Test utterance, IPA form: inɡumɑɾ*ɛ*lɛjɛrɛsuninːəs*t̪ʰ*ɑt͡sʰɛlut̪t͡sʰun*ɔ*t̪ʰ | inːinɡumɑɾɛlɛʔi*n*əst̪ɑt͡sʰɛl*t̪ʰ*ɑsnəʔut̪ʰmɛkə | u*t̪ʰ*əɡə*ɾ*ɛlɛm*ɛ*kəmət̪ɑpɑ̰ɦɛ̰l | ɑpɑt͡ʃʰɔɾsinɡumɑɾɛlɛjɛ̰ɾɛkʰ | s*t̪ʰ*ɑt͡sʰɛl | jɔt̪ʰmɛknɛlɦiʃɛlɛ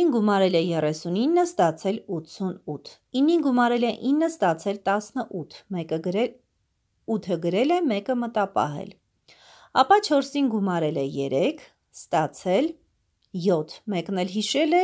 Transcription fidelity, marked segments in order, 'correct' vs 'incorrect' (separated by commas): correct, incorrect, incorrect, incorrect, incorrect, correct, correct, correct, incorrect